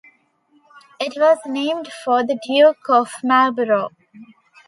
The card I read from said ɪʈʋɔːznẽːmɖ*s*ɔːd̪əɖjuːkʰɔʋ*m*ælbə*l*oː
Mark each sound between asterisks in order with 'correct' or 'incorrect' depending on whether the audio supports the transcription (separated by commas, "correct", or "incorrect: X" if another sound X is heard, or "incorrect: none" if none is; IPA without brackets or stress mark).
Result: incorrect: f, correct, incorrect: ɾ